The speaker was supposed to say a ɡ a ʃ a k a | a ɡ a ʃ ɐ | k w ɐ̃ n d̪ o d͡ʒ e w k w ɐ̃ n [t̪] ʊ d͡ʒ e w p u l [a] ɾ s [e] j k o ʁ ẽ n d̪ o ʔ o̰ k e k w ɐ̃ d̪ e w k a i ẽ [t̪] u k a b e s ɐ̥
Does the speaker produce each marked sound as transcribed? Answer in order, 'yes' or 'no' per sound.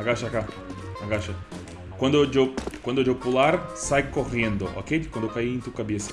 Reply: no, yes, no, yes

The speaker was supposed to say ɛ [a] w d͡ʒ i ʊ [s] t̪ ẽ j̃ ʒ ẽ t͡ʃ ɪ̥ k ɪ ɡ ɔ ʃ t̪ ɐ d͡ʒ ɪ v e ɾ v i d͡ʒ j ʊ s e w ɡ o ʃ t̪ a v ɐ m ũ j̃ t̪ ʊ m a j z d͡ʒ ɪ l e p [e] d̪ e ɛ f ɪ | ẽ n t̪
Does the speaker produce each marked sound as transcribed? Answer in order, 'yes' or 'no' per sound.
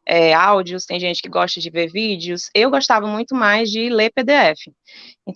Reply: yes, yes, yes

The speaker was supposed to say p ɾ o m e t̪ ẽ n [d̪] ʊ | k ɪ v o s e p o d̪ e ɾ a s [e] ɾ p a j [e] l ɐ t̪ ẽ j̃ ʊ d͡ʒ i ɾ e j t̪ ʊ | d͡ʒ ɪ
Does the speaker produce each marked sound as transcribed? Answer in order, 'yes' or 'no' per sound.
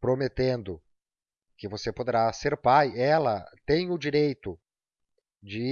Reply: yes, yes, no

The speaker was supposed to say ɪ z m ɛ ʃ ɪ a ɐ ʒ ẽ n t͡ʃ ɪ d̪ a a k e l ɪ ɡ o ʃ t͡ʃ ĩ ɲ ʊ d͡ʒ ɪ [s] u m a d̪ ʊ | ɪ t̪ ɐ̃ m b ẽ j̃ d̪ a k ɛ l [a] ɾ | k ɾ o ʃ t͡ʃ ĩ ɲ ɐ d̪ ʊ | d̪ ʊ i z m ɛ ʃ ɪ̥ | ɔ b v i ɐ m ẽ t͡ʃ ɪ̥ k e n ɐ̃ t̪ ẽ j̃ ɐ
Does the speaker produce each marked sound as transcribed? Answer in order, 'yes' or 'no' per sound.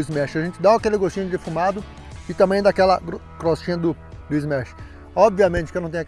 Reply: no, no

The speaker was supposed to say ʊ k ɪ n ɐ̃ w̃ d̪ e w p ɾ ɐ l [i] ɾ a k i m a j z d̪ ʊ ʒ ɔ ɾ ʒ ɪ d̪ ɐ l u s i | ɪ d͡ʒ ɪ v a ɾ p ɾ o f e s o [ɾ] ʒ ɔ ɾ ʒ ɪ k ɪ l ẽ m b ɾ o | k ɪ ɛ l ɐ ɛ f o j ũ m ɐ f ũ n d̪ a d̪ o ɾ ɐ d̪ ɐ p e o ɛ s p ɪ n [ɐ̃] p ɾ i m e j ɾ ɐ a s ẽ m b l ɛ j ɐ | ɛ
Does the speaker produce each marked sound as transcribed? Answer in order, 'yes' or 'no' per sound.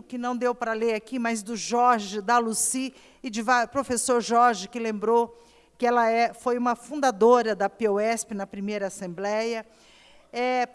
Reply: no, yes, no

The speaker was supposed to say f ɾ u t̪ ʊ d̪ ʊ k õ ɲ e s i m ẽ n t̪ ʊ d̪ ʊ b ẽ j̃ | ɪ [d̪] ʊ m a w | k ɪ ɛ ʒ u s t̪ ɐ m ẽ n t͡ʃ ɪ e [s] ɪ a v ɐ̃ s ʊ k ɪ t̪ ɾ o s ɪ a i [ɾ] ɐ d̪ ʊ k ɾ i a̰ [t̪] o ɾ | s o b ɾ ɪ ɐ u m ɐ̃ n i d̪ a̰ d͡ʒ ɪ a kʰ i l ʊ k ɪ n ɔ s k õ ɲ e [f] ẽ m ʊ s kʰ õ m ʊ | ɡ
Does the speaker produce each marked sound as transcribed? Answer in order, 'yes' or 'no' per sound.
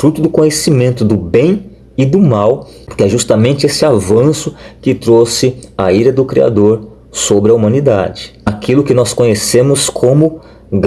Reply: yes, yes, yes, no, no

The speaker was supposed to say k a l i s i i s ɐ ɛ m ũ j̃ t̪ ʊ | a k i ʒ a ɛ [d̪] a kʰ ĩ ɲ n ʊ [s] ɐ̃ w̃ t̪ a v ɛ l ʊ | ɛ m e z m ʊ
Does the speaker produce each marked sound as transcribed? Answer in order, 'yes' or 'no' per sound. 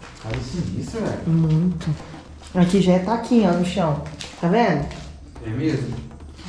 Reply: no, no

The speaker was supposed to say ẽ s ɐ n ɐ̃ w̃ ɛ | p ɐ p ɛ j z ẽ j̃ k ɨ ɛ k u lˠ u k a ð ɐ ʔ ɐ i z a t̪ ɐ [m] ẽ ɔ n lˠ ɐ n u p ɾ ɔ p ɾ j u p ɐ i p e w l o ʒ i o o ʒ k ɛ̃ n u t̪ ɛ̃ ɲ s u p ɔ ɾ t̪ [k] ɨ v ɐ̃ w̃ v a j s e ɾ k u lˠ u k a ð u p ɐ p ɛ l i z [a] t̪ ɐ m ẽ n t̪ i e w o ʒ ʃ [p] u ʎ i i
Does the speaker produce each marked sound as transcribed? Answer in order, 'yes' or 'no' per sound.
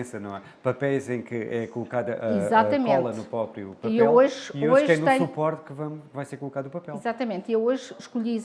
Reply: yes, yes, yes, no

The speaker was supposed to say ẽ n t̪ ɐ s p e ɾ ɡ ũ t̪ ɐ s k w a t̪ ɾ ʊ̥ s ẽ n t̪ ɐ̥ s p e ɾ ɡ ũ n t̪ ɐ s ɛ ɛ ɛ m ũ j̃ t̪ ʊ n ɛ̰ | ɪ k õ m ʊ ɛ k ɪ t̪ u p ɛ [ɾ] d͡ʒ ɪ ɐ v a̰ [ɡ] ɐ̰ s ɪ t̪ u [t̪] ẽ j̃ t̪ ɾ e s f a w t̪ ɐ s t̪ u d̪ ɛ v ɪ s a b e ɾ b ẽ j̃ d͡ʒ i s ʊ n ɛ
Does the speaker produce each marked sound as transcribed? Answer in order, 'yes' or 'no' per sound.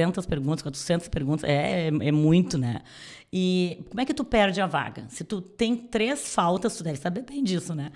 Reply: yes, yes, yes

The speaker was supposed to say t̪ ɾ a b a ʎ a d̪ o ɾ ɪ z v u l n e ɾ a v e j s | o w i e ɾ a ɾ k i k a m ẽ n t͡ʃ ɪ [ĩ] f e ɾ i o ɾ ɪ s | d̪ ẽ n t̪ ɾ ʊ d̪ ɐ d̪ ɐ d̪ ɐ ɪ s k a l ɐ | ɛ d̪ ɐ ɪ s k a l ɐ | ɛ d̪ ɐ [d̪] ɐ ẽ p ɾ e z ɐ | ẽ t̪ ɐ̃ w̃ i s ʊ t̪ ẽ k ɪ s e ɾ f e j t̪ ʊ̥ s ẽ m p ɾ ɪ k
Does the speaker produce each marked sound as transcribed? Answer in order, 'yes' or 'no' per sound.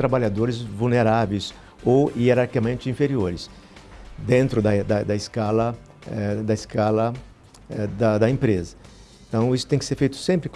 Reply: yes, yes

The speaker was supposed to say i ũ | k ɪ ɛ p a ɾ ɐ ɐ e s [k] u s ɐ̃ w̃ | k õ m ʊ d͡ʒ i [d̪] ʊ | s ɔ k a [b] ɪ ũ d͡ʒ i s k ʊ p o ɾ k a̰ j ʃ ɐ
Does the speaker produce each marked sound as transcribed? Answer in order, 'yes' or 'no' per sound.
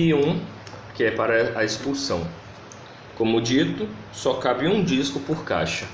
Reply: no, no, yes

